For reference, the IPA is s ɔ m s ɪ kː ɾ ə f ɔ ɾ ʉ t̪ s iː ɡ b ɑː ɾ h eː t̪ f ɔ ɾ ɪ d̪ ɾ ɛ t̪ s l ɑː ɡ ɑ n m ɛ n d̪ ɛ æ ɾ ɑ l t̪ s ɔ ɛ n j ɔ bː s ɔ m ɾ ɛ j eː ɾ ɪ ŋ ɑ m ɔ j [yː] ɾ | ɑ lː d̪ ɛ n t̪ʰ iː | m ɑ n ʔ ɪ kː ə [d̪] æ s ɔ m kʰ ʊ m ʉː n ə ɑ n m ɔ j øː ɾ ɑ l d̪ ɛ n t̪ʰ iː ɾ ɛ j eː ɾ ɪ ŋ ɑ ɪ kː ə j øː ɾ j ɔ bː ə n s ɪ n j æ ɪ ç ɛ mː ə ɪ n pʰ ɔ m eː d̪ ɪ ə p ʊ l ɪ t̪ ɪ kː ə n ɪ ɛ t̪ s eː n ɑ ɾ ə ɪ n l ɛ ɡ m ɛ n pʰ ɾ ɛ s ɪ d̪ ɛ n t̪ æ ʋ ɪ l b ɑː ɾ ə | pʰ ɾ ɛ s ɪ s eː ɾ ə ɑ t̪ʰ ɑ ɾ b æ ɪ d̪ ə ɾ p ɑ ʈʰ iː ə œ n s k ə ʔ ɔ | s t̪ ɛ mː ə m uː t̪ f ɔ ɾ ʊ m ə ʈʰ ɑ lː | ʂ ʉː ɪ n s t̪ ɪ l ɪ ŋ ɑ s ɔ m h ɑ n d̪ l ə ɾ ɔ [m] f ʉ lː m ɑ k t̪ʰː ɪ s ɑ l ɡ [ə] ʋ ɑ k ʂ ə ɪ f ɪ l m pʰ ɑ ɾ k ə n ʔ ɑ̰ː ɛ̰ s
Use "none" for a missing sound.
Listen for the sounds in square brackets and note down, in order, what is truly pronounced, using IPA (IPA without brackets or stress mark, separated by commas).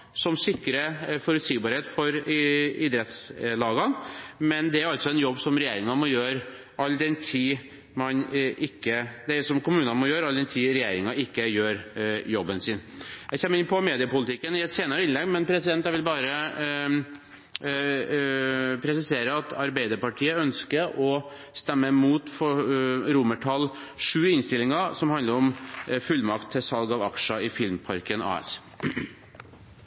øː, d̪, m, ɑ